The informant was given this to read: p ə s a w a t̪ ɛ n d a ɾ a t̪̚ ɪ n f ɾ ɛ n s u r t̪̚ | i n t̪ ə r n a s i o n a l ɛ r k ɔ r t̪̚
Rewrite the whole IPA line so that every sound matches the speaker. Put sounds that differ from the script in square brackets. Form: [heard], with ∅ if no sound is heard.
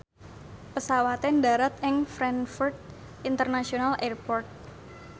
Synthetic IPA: p ə s a w a t̪ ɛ n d a ɾ a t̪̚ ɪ [ŋ] f ɾ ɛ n [f] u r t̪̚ | i n t̪ ə r n a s i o n a l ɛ r [p] ɔ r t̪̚